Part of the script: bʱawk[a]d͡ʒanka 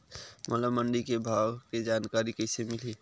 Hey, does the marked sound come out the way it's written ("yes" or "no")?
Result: no